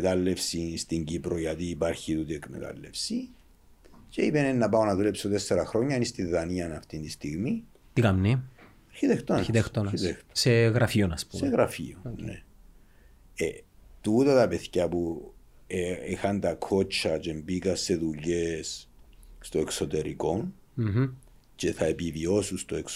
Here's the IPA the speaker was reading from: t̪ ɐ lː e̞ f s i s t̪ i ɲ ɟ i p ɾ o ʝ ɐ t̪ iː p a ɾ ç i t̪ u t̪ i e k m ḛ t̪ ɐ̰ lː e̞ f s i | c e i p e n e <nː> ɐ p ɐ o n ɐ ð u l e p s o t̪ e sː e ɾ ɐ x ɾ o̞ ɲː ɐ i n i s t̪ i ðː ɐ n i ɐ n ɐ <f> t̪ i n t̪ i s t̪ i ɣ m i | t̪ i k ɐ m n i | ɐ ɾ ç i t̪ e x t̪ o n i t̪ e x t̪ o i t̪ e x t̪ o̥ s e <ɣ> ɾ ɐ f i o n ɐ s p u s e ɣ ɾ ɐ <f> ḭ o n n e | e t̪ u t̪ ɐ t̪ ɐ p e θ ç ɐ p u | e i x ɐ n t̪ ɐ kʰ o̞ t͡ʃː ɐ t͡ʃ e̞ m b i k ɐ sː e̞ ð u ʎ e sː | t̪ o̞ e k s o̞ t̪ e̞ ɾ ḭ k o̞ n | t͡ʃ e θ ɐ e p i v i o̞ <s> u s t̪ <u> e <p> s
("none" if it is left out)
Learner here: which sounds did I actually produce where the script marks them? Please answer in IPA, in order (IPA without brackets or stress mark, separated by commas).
nː, f, ɣ, f, s, o, k